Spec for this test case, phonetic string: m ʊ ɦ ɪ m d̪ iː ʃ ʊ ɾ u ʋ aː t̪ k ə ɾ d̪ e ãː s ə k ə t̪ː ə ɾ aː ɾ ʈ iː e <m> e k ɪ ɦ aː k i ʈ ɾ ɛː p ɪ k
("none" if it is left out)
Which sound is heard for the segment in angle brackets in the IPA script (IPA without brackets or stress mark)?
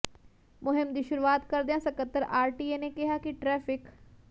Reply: n